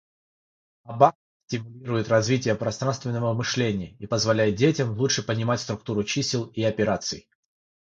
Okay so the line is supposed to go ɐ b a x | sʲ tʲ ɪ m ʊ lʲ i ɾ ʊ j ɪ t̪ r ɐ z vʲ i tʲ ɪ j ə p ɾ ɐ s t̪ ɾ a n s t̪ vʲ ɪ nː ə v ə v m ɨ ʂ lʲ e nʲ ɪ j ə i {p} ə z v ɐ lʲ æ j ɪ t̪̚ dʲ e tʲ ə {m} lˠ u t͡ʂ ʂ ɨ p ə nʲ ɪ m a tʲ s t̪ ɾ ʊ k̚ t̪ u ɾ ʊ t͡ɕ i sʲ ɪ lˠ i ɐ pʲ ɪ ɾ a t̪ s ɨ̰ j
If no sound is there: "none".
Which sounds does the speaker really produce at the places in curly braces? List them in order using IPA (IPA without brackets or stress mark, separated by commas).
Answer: p, m